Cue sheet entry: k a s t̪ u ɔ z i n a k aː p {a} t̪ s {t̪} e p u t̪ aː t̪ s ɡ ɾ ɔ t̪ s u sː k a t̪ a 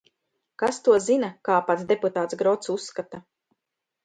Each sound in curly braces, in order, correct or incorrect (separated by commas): correct, incorrect